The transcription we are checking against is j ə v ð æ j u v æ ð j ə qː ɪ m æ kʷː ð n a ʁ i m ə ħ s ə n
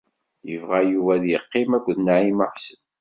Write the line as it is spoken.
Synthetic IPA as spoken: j ə v ʁ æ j u v æ ð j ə qː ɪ m æ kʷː ð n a ʕ i m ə ħ s ə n

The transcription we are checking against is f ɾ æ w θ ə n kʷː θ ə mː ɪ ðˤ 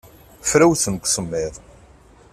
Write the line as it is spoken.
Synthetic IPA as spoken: f ɾ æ w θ ə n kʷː s ə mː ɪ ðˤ

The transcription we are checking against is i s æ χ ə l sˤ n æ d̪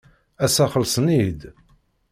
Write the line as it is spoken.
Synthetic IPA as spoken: æ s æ χ ə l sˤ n i d̪

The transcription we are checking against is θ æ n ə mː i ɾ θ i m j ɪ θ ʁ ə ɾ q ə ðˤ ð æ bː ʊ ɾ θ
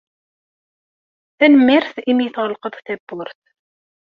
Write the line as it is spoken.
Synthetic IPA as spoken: θ æ n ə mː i ɾ θ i m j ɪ θ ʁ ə l q ə ðˤ θ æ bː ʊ ɾ θ

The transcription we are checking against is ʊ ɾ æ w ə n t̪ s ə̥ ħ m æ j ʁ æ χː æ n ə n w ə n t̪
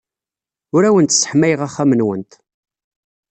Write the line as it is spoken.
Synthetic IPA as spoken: ʊ ɾ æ w ə n t̪ s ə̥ ħ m æ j ʁ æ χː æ m ə n w ə n t̪

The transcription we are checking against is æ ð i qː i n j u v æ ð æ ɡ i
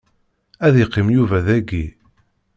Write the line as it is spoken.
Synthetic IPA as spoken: æ ð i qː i m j u v æ ð æ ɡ i

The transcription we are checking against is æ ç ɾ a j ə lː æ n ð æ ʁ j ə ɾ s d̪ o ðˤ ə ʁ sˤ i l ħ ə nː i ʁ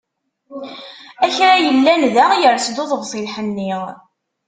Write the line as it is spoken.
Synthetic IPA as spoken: æ ç ɾ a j ə lː æ n ð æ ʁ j ə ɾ s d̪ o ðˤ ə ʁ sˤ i l ħ ə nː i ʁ

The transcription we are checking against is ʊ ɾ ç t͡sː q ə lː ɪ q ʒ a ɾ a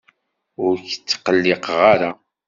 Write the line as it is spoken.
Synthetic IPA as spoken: ʊ ɾ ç t͡sː q ə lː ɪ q ʁ a ɾ a

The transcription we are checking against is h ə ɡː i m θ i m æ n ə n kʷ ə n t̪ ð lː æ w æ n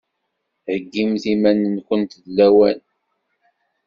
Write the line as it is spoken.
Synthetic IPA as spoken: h ə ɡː i m θ i m æ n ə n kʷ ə n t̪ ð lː æ w æ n

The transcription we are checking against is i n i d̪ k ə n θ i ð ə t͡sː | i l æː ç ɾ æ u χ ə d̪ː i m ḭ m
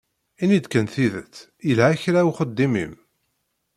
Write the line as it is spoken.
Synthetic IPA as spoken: i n i d̪ k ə n θ i ð ə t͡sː | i l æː ç ɾ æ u χ ə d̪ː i m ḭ m

